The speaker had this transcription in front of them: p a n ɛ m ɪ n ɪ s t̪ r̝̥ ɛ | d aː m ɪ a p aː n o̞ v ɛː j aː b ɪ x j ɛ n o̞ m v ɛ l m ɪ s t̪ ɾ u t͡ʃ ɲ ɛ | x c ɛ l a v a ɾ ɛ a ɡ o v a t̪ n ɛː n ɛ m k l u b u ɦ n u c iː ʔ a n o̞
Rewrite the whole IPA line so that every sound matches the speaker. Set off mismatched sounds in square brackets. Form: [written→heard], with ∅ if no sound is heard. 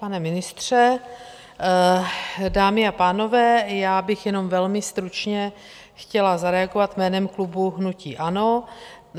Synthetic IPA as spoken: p a n ɛ m ɪ n ɪ s t̪ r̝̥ ɛ | d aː m ɪ a p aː n o̞ v ɛː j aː b ɪ x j ɛ n o̞ m v ɛ l m ɪ s t̪ ɾ u t͡ʃ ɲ ɛ | x c ɛ l a [v→z] a ɾ ɛ a ɡ o v a t̪ [n→m] ɛː n ɛ m k l u b u ɦ n u c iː ʔ a n o̞

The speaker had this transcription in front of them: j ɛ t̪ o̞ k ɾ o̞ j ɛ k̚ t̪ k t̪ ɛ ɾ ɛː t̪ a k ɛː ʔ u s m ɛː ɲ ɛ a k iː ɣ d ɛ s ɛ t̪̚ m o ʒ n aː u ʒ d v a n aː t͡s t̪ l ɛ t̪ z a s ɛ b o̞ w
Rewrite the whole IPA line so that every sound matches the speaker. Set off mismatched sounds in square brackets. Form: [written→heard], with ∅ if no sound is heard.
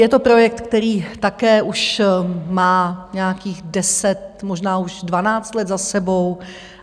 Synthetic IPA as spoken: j ɛ t̪ o̞ [k→p] ɾ o̞ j ɛ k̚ t̪ k t̪ ɛ ɾ [ɛː→iː] t̪ a k ɛː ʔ u [s→ʃ] m [ɛː→aː] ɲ ɛ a k iː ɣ d ɛ s ɛ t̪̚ m o ʒ n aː u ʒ d v a n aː t͡s t̪ l ɛ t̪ z a s ɛ b o̞ w

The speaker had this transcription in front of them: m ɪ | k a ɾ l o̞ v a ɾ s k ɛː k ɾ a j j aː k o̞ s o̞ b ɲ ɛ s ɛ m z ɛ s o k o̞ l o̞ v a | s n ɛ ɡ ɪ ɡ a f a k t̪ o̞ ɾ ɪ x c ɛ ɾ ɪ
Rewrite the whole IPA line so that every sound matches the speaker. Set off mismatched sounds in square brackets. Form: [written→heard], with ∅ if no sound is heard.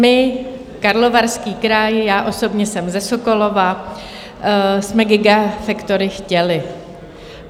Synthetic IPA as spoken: m ɪ | k a ɾ l o̞ v a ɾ s k [ɛː→iː] k ɾ a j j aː [k→ʔ] o̞ s o̞ b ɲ ɛ s ɛ m z ɛ s o k o̞ l o̞ v a | s [n→m] ɛ ɡ ɪ ɡ a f [a→ɛ] k t̪ o̞ ɾ ɪ x c ɛ [ɾ→l] ɪ

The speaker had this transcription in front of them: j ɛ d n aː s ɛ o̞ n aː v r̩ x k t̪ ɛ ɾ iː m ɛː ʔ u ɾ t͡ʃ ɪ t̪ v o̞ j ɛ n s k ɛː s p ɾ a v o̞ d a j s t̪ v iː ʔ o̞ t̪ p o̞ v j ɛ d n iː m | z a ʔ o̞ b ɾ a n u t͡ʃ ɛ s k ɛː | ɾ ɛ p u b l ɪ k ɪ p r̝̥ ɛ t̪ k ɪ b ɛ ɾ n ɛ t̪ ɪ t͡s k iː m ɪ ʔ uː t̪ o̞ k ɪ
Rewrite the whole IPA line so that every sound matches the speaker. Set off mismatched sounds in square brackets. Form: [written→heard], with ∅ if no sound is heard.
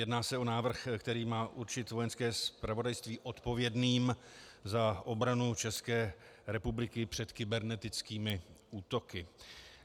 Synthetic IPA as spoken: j ɛ d n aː s ɛ o̞ n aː v r̩ x k t̪ ɛ ɾ iː m [ɛː→aː] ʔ u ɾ t͡ʃ ɪ t̪ v o̞ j ɛ n s k ɛː s p ɾ a v o̞ d a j s t̪ v iː ʔ o̞ t̪ p o̞ v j ɛ d n iː m | z a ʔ o̞ b ɾ a n u t͡ʃ ɛ s k ɛː | ɾ ɛ p u b l ɪ k ɪ p r̝̥ ɛ t̪ k ɪ b ɛ ɾ n ɛ t̪ ɪ t͡s k iː m ɪ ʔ uː t̪ o̞ k ɪ

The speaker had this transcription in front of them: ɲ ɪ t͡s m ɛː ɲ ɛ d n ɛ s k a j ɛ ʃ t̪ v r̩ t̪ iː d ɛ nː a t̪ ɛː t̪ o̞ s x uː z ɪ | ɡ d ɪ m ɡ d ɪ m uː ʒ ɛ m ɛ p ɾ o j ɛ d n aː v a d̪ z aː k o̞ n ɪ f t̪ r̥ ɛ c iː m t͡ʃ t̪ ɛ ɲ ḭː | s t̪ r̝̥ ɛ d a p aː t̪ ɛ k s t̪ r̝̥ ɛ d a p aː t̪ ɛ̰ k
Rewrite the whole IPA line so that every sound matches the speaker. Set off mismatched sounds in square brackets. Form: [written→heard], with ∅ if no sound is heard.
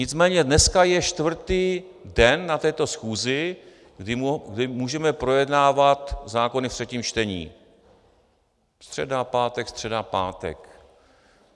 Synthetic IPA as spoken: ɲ ɪ t͡s m ɛː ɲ ɛ d n ɛ s k a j ɛ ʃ t̪ v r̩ t̪ iː d ɛ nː a t̪ ɛː t̪ o̞ s x uː z ɪ | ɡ d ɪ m ɡ d ɪ m uː ʒ ɛ m ɛ p ɾ o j ɛ d n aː v a [d̪→t̪] z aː k o̞ n ɪ f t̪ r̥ ɛ c iː m t͡ʃ t̪ ɛ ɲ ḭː | s t̪ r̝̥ ɛ d a p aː t̪ ɛ k s t̪ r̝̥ ɛ d a p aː t̪ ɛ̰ k

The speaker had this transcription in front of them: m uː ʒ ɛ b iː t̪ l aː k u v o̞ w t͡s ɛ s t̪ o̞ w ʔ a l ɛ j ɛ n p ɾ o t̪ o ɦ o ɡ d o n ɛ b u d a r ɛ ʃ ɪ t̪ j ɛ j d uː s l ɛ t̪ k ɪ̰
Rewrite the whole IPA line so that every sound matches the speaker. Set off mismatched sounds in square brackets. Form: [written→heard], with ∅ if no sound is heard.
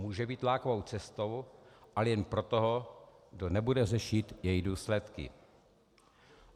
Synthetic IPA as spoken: m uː ʒ ɛ b iː t̪ l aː k [u→o] v o̞ w t͡s ɛ s t̪ o̞ w ʔ a l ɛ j ɛ n p ɾ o t̪ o ɦ o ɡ d o n ɛ b u d [a→ɛ] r ɛ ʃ ɪ t̪ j ɛ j d uː s l ɛ t̪ k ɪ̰

